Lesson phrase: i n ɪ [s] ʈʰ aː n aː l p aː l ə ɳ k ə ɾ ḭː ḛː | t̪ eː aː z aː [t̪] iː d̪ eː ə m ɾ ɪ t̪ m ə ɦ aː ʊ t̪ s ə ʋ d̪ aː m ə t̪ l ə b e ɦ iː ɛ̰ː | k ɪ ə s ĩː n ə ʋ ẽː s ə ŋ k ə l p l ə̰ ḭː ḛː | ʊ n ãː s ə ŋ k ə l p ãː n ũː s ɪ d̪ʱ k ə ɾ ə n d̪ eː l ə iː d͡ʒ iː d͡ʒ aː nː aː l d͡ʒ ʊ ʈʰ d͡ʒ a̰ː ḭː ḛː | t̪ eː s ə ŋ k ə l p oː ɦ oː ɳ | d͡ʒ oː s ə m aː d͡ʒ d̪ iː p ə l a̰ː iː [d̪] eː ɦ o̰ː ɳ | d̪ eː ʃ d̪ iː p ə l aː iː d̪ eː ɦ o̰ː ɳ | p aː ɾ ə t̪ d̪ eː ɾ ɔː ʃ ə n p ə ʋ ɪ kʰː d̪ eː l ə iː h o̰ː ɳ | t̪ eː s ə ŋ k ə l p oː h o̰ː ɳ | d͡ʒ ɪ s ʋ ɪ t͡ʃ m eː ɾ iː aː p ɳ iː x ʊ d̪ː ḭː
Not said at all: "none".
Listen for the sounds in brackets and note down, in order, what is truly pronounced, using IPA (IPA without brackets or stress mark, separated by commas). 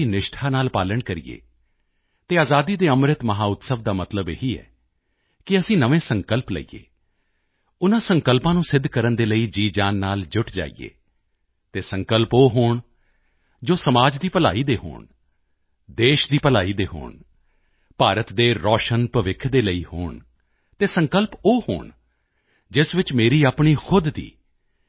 ʃ, d̪, d̪